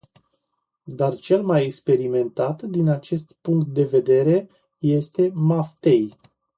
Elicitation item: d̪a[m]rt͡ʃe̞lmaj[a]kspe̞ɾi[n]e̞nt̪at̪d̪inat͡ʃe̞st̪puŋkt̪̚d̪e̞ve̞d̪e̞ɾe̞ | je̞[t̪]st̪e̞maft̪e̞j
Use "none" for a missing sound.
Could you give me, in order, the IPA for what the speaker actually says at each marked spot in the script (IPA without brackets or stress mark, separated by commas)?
none, e, m, none